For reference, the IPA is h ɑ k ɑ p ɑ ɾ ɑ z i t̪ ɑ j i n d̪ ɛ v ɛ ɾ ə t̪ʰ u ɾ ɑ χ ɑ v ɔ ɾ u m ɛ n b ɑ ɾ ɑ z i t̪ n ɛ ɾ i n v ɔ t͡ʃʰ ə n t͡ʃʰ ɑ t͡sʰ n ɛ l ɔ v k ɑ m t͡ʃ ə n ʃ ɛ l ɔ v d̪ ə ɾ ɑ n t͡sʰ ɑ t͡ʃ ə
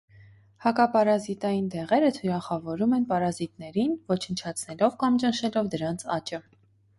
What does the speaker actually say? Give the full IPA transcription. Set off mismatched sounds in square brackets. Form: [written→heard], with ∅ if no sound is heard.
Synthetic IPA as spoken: h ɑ k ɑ p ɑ ɾ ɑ z i t̪ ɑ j i n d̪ ɛ [v→ʁ] ɛ ɾ ə t̪ʰ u ɾ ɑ χ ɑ v ɔ ɾ u m ɛ n [b→p] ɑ ɾ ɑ z i t̪ n ɛ ɾ i n v ɔ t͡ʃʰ ə n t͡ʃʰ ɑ t͡sʰ n ɛ l ɔ v k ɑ m t͡ʃ ə n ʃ ɛ l ɔ v d̪ ə ɾ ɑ n t͡sʰ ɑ t͡ʃ ə